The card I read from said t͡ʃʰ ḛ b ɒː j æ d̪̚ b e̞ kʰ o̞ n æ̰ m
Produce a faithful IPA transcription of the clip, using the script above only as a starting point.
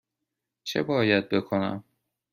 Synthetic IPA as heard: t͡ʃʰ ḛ b ɒː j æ d̪̚ b e̞ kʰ o̞ n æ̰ m

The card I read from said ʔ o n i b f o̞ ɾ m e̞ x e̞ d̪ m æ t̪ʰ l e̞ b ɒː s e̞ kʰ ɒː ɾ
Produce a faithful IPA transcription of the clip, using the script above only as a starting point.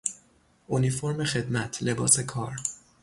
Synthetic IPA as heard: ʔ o n i f o̞ ɾ m e̞ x e̞ d̪ m æ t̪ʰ l e̞ b ɒː s e̞ kʰ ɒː ɾ

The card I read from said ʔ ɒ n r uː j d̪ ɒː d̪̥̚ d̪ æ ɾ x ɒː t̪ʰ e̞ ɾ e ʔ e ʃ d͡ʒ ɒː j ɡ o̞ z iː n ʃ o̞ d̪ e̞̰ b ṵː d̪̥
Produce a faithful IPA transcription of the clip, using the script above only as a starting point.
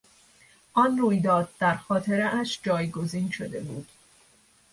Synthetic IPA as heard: ʔ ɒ n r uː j d̪ ɒː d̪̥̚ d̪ æ ɾ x ɒː t̪ʰ e̞ ɾ e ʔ æ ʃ d͡ʒ ɒː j ɡ o̞ z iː n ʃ o̞ d̪ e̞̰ b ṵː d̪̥

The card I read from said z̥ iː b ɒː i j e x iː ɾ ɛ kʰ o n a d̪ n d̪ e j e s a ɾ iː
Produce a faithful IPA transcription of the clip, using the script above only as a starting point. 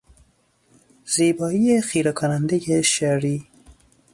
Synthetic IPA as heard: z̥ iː b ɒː i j e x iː ɾ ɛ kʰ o n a n d̪ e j e ʃ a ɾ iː

